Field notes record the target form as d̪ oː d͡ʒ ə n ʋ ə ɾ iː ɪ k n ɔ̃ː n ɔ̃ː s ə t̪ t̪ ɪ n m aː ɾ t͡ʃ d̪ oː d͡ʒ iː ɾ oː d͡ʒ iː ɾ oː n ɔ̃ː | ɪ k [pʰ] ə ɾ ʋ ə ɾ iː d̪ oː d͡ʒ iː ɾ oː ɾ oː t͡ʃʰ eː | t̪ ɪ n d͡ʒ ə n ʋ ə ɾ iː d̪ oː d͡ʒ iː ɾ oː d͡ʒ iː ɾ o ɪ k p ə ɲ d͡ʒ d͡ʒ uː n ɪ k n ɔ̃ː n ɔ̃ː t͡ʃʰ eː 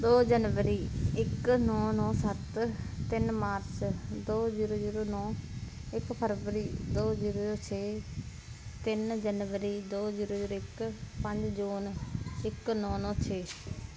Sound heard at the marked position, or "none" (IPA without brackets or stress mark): pʰ